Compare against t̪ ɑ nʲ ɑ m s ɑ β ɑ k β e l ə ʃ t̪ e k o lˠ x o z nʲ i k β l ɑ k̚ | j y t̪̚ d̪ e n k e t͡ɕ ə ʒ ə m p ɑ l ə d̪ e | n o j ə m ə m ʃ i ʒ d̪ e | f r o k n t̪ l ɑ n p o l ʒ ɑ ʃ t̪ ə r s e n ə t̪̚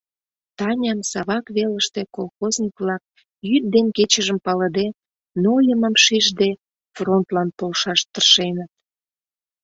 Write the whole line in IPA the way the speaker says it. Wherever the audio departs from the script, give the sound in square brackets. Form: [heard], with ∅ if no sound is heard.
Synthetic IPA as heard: t̪ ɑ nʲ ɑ m s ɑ β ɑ k β e l ə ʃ t̪ e k o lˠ x o z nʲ i k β l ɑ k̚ | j y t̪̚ d̪ e n k e t͡ɕ ə ʒ ə m p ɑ l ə d̪ e | n o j ə m ə m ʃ i ʒ d̪ e | f r o [∅] n t̪ l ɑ n p o l [ʃ] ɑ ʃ t̪ ə r [ʃ] e n ə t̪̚